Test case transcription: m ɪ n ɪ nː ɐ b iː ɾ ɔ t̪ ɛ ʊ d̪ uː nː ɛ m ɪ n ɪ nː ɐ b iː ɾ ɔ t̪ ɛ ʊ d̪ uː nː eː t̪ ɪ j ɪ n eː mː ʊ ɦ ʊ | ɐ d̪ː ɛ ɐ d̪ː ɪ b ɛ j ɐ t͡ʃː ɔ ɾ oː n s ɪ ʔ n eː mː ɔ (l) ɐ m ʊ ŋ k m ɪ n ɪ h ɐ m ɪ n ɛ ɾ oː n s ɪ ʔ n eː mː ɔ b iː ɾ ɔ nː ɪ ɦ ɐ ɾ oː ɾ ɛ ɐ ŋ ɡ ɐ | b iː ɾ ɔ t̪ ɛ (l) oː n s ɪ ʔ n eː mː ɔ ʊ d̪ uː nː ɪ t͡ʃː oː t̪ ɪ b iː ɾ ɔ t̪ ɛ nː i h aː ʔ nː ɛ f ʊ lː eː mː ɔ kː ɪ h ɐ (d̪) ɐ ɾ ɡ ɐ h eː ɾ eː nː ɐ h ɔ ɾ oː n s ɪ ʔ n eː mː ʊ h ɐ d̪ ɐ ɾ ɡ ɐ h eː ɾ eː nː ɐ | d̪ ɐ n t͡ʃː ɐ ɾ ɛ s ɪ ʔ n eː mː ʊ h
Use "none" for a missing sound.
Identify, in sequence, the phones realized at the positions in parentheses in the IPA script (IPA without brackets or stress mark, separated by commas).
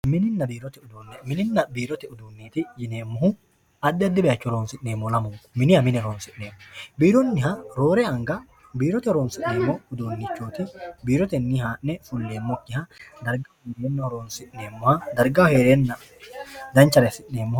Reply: l, ɾ, d̪